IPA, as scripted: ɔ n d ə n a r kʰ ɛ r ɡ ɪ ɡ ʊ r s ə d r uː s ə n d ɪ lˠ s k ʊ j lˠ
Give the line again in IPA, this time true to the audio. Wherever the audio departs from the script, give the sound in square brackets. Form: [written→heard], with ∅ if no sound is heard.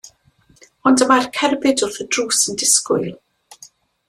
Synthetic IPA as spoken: ɔ n d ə [n→m] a r kʰ ɛ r [ɡ→b] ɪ [ɡ→d] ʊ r [s→θ] ə d r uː s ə n d ɪ [lˠ→∅] s k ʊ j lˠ